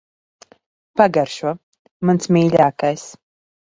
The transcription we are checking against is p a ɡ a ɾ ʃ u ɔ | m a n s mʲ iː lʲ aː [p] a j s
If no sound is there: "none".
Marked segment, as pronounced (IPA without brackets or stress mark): k